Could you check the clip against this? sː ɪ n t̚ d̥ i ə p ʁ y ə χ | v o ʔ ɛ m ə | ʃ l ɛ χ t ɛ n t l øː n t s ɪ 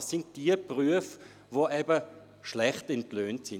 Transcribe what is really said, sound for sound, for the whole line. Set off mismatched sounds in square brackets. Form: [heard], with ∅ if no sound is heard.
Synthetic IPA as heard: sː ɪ n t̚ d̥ i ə p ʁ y ə [f] | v o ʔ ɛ [b] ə | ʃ l ɛ χ t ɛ n t l øː n t s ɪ